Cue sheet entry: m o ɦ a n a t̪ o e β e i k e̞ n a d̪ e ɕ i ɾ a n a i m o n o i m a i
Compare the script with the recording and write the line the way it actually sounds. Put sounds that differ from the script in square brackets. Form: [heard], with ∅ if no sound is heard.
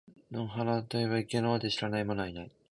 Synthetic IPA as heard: [n] o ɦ a n a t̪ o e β [a] i k e̞ n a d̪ e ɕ i ɾ a n a i m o n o i [n] a i